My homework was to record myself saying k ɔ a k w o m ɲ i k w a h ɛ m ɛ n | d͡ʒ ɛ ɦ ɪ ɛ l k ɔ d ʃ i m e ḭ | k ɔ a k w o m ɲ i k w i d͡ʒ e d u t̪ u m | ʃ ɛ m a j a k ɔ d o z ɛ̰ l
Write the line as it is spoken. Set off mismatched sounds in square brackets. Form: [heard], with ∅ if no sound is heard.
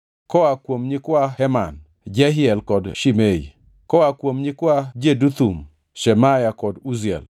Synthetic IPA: k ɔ a k w o m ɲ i k w a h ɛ m [a] n | d͡ʒ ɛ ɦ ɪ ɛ l k ɔ d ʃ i m e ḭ | k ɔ a k w o m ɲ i k w [a] d͡ʒ e d u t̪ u m | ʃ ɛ m a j a k ɔ d [u] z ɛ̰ l